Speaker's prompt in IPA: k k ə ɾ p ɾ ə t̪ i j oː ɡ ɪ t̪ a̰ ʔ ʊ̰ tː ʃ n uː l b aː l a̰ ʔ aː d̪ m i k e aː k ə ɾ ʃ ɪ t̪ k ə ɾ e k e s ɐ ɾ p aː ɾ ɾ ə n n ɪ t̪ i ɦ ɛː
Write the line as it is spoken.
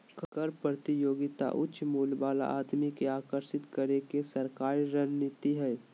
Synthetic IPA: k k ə ɾ p ɾ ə t̪ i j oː ɡ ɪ t̪ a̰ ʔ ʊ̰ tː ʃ m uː l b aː l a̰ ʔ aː d̪ m i k e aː k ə ɾ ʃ ɪ t̪ k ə ɾ e k e s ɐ ɾ k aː ɾ ɾ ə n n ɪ t̪ i ɦ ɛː